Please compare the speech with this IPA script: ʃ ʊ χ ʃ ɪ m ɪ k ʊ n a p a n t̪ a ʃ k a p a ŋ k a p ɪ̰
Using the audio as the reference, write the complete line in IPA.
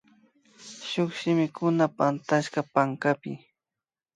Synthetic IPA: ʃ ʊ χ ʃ ɪ m ɪ k ʊ n a p a n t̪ a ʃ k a p a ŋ k a p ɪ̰